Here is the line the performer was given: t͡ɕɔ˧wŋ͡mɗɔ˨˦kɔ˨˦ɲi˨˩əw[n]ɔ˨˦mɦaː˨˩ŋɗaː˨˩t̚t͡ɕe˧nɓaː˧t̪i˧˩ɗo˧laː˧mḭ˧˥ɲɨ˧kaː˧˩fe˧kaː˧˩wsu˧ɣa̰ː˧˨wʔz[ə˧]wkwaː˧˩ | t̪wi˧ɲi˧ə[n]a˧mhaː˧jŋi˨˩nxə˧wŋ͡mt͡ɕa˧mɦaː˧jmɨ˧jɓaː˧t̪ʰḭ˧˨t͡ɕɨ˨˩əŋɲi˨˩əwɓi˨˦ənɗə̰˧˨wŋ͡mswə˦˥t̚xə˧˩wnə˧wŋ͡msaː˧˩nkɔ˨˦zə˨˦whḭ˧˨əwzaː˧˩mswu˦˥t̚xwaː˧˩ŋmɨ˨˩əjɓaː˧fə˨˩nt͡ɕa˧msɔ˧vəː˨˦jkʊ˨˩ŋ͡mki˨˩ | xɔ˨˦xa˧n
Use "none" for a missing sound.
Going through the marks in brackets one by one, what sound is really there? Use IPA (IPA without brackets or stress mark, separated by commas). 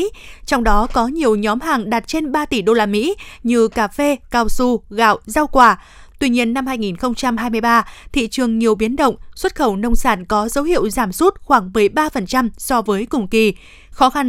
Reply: ɲ, a˧, nː